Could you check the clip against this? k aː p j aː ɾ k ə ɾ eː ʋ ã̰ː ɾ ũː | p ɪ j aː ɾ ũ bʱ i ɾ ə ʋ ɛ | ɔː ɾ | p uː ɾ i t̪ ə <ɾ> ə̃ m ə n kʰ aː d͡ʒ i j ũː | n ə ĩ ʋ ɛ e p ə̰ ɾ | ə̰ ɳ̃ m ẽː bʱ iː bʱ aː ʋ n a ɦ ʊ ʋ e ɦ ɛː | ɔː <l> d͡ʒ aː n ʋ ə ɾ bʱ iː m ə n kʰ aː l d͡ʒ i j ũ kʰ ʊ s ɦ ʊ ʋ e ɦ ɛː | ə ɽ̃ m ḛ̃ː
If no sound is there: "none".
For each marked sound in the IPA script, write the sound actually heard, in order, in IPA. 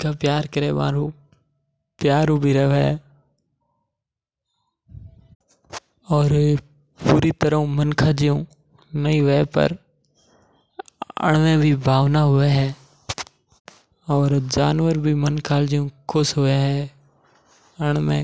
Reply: ɾ, ɾ

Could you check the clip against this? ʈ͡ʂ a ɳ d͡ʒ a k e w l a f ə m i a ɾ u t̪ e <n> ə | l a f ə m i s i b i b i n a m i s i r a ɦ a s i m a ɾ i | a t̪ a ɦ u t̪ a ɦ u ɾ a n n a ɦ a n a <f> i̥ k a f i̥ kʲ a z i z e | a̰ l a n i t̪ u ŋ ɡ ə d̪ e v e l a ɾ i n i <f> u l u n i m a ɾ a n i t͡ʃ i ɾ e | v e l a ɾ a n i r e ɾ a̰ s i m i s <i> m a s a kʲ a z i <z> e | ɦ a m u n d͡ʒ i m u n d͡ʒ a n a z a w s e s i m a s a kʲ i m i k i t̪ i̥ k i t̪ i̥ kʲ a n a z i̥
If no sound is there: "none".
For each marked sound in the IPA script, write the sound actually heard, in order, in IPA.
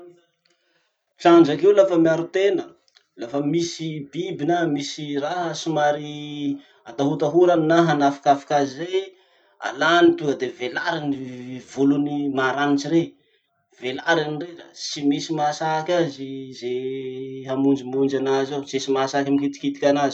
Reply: n, f, v, i, z

